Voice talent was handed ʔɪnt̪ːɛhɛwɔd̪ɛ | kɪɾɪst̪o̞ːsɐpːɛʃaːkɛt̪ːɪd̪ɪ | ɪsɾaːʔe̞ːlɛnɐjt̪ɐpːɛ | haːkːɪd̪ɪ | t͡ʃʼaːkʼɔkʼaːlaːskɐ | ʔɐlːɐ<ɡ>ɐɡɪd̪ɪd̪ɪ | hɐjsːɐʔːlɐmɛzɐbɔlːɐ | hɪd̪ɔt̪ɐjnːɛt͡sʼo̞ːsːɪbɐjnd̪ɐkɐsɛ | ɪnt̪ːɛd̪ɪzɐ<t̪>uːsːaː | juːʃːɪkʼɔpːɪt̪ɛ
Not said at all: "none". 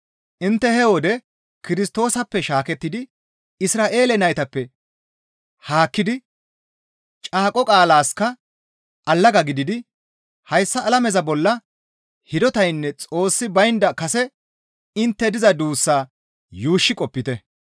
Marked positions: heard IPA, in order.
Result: ɡ, d̪

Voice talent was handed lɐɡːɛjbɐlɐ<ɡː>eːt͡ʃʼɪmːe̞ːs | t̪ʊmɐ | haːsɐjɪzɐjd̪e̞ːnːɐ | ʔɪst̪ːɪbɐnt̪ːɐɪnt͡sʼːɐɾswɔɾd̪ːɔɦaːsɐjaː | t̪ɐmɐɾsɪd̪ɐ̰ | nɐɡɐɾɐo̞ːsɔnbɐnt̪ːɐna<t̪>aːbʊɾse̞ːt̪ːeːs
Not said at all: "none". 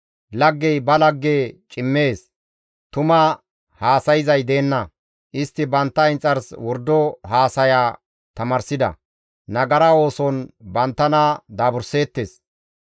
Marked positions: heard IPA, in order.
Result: ɡː, d̪

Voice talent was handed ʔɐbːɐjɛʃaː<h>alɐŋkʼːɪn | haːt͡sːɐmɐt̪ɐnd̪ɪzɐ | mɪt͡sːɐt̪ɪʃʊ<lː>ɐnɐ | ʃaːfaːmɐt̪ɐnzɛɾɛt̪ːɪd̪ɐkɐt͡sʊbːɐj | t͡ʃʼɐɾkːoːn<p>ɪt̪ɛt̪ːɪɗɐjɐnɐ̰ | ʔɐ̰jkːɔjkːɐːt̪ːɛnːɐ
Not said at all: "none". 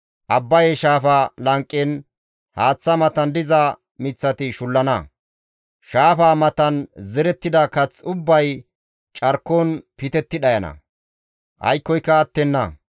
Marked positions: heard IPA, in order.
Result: f, lː, p

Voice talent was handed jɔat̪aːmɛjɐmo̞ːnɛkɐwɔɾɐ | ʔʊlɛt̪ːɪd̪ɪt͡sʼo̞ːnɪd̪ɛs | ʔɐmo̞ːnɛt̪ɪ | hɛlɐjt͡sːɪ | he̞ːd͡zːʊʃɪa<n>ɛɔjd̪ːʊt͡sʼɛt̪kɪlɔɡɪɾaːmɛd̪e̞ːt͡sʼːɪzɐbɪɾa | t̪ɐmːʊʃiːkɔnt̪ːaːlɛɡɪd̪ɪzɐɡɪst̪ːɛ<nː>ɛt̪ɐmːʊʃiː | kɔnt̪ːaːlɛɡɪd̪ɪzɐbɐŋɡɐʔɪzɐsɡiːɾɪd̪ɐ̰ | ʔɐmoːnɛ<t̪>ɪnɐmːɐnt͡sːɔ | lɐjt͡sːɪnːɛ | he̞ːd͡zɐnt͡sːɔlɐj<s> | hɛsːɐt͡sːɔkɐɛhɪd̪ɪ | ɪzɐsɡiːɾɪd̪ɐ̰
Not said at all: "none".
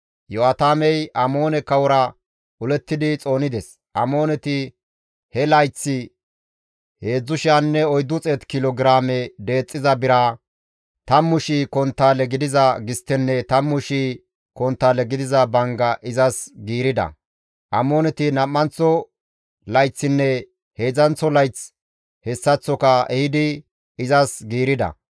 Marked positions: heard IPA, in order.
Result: nː, nː, t̪, t͡s

